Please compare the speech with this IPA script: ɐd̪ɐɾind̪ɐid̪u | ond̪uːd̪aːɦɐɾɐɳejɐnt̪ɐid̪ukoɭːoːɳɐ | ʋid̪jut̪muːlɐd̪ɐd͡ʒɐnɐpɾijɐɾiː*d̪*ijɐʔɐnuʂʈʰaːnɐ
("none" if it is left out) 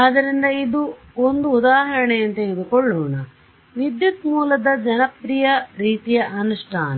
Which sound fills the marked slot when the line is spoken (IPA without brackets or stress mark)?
t̪